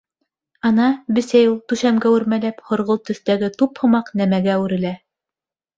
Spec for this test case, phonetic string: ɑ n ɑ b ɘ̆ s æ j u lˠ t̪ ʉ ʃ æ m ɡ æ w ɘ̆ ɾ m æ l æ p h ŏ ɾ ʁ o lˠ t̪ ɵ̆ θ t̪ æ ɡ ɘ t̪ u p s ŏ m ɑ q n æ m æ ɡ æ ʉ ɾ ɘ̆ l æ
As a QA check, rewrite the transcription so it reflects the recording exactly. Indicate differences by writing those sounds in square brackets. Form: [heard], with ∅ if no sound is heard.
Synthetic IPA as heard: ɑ n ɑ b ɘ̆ s æ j u lˠ t̪ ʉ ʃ æ m ɡ æ w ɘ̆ ɾ m æ l æ p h ŏ ɾ ʁ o lˠ t̪ ɵ̆ θ t̪ æ ɡ ɘ t̪ u p [h] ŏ m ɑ q n æ m æ ɡ æ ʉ ɾ ɘ̆ l æ